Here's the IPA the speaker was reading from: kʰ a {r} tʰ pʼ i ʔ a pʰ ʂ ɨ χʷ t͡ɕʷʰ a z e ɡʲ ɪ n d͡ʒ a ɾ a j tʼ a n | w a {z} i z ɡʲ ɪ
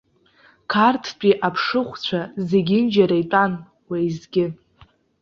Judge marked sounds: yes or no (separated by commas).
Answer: yes, no